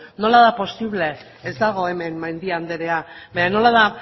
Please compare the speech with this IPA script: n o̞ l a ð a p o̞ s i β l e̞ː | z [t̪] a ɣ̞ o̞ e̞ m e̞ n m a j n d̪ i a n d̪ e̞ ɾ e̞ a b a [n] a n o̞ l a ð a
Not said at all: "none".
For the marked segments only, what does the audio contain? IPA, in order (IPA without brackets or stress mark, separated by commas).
d̪, ɲ